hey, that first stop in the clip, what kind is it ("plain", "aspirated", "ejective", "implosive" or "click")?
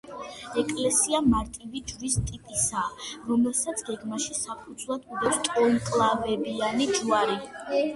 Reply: ejective